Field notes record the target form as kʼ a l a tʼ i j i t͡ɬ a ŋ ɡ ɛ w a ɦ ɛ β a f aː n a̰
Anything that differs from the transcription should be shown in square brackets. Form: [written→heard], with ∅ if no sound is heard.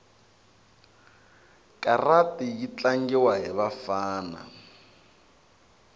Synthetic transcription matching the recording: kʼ a [l→r] a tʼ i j i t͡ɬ a ŋ ɡ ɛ w a ɦ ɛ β a f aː n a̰